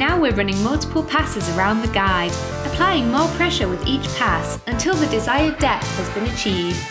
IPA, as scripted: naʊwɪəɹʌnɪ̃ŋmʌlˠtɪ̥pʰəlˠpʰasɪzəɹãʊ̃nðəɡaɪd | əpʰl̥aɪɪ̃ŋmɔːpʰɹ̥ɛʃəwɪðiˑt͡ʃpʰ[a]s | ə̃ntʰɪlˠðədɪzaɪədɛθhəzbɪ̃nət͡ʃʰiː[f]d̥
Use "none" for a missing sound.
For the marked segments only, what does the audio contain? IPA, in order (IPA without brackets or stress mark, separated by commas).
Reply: a, v